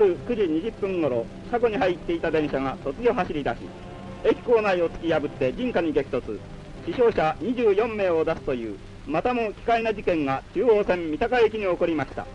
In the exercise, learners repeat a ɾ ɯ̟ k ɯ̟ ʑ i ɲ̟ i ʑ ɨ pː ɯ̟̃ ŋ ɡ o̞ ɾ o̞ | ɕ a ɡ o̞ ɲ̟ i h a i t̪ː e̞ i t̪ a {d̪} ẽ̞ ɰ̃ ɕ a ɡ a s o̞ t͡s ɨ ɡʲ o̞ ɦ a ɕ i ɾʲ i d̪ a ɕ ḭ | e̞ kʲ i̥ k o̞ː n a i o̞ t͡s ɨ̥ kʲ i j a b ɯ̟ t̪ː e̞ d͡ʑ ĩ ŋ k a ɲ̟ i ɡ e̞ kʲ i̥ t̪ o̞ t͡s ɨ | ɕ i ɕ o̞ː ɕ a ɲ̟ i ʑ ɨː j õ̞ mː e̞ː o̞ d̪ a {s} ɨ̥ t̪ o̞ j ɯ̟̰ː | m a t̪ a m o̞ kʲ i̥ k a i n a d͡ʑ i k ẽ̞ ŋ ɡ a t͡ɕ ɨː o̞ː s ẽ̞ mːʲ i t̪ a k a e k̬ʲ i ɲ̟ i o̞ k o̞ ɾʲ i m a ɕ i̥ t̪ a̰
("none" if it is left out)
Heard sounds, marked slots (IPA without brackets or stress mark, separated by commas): d̪, s